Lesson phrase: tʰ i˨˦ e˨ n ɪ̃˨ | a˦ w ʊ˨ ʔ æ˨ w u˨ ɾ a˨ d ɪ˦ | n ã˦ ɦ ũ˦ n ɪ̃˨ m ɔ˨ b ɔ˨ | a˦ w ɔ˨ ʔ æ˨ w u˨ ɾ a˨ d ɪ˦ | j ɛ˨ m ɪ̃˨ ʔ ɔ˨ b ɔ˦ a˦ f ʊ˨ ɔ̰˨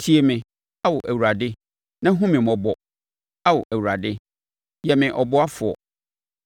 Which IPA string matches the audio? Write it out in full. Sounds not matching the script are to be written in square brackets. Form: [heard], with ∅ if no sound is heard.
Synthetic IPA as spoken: tʰ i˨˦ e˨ [m] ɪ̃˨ | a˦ w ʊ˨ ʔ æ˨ w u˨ ɾ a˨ d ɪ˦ | n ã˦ ɦ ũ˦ [m] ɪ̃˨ m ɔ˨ b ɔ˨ | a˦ w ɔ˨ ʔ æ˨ w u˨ ɾ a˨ d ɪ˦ | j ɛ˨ m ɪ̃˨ ʔ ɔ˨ b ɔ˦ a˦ f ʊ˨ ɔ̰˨